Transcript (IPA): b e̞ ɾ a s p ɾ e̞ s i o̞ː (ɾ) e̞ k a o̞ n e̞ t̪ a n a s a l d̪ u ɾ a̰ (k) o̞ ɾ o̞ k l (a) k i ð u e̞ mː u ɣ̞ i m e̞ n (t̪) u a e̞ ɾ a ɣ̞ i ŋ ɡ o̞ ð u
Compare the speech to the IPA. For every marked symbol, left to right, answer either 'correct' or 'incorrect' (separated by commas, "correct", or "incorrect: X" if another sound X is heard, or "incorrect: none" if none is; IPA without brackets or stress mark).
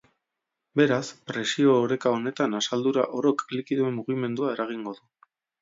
correct, incorrect: ʔ, incorrect: i, incorrect: d̪